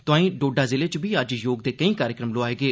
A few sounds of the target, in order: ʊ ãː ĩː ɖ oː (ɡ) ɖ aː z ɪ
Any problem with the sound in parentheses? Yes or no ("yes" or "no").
yes